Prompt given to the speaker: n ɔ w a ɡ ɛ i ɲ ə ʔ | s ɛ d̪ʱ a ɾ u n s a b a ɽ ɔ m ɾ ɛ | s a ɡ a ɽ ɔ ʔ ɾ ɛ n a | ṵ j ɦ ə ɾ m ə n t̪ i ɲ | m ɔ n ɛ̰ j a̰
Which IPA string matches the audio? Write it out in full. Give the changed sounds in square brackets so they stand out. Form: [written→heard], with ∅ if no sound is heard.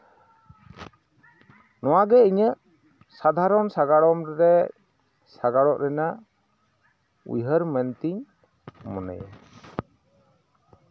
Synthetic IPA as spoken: n ɔ w a ɡ ɛ i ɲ ə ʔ | s [ɛ→a] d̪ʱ a ɾ [u→ɔ] n s a [b→ɡ] a ɽ ɔ m ɾ ɛ | s a ɡ a ɽ ɔ ʔ ɾ ɛ n a | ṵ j ɦ ə ɾ m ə n t̪ i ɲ | m ɔ n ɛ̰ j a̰